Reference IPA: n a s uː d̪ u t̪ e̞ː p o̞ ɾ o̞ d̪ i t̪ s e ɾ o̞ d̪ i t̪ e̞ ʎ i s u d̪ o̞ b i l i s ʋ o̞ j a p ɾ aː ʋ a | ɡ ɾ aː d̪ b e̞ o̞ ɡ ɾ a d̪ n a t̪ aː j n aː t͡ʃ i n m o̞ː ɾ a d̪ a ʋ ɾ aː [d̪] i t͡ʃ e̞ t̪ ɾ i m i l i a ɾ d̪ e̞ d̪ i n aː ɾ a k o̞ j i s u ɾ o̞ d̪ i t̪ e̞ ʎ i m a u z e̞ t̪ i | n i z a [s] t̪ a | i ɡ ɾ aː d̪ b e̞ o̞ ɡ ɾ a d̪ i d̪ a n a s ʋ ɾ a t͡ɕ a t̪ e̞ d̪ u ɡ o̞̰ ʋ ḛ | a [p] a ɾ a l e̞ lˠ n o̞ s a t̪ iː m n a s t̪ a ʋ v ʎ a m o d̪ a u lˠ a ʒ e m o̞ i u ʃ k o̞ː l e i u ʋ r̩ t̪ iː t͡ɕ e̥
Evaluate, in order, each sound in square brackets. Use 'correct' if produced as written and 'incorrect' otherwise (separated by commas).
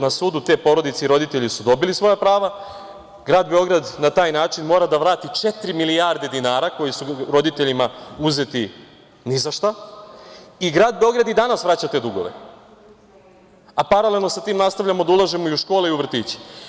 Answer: incorrect, incorrect, correct